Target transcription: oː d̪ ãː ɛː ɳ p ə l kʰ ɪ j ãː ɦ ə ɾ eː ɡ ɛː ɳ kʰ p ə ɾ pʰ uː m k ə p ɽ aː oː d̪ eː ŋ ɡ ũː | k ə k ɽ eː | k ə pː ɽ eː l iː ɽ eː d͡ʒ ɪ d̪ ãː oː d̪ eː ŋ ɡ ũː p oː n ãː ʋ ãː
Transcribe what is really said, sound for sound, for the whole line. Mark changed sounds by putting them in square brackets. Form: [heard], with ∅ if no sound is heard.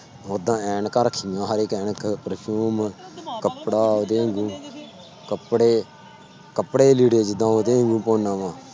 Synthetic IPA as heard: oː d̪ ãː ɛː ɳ [k] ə [ɾ] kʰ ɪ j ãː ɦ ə ɾ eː [k] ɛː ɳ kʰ p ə ɾ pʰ uː m k ə p ɽ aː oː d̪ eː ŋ ɡ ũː | k ə [p] ɽ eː | k ə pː ɽ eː l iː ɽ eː d͡ʒ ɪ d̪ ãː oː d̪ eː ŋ ɡ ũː p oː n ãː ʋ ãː